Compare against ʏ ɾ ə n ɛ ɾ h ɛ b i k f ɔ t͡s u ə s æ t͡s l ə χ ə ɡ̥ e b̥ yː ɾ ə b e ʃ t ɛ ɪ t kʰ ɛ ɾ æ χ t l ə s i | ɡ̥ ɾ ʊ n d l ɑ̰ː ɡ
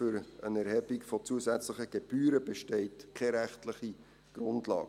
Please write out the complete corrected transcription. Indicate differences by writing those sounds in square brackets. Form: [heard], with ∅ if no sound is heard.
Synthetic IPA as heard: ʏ ɾ ə n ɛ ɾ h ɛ b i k f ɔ t͡s u ə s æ t͡s l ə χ ə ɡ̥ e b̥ yː ɾ ə b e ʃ t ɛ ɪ t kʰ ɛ ɾ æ χ t l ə [χ] i | ɡ̥ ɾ ʊ n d l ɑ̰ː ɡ